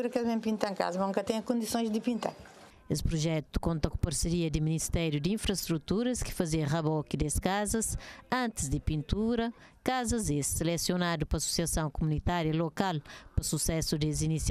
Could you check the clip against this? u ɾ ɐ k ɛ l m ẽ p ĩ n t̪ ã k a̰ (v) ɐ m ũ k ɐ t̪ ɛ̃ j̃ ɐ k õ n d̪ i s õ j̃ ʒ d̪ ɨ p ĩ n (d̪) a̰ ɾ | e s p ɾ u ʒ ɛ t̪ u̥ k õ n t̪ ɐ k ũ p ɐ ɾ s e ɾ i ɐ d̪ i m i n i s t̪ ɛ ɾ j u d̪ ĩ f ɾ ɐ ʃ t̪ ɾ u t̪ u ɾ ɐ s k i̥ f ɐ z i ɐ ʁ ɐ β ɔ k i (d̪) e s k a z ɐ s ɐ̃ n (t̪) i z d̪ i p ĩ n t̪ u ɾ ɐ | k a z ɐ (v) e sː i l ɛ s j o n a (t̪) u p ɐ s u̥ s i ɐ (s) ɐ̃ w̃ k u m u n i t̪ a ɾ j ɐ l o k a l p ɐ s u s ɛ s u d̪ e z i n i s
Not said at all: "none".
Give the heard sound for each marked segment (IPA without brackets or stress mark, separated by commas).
z, t̪, d̪, t̪, z, d̪, s